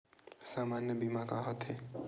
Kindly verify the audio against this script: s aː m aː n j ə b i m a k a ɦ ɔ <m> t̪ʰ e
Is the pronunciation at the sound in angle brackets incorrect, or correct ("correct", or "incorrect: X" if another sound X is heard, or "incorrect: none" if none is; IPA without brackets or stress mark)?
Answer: incorrect: none